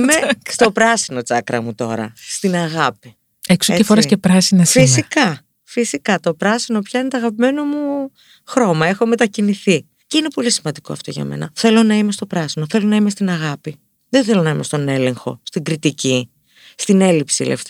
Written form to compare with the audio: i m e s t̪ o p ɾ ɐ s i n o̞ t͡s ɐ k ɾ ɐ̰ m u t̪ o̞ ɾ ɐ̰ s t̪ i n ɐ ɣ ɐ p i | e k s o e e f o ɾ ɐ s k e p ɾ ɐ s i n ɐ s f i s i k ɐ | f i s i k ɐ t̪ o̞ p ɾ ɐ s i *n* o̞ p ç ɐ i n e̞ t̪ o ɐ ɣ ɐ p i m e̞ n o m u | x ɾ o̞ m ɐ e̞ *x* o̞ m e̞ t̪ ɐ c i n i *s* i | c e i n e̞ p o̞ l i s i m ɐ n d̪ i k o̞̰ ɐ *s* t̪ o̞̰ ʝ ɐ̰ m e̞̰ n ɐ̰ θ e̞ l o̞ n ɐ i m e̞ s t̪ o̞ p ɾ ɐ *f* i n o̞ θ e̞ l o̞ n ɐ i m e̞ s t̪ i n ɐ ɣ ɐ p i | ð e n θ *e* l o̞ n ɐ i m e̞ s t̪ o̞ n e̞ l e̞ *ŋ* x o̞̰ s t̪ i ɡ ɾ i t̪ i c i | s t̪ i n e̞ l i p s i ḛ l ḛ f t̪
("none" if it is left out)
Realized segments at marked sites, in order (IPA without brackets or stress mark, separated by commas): n, x, θ, f, s, e, ŋ